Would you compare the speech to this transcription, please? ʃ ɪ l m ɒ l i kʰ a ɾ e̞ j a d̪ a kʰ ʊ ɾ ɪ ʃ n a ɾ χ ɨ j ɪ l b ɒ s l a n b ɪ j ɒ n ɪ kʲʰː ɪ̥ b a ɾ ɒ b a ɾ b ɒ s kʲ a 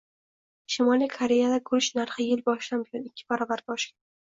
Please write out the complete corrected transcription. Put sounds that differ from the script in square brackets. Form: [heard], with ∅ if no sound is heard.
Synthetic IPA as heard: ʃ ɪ [∅] m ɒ l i kʰ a ɾ e̞ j a d̪ a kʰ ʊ ɾ ɪ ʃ n a ɾ χ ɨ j ɪ l b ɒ [ʃ] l a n b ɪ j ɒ n ɪ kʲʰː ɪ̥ b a ɾ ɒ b a ɾ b ɒ [ʃ] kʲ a